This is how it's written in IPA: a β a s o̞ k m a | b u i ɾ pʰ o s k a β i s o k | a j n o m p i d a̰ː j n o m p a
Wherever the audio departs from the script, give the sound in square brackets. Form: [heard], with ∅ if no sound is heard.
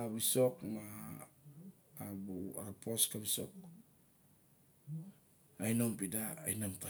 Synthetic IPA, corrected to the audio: a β [i] s o̞ k m a | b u [a] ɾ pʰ o s k a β i s o k | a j n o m p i d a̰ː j n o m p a